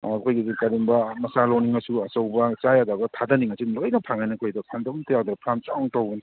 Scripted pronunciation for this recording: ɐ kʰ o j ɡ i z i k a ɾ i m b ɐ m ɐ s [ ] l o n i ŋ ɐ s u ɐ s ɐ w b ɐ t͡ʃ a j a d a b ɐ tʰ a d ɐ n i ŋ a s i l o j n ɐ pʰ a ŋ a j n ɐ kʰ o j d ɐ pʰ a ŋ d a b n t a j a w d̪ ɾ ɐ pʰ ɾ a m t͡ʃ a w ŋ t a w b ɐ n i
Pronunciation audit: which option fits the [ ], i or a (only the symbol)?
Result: a